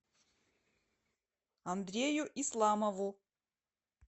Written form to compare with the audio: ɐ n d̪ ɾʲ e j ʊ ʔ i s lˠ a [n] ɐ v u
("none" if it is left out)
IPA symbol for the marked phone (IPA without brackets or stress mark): m